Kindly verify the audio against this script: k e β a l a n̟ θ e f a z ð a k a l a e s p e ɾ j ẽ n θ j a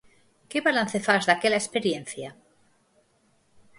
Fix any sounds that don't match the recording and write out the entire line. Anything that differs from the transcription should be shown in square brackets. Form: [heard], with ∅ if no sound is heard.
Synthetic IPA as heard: k e β a l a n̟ θ e f a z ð a k [e] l a e s p e ɾ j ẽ n θ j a